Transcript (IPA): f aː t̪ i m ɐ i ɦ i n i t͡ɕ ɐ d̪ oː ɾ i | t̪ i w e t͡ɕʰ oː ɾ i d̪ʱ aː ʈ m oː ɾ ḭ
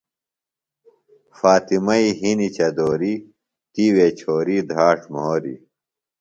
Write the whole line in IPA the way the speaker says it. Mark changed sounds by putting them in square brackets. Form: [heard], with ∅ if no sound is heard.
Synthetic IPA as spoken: f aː t̪ i m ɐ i ɦ i n i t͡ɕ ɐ d̪ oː ɾ i | t̪ i w e t͡ɕʰ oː ɾ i d̪ʱ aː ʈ m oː ɾ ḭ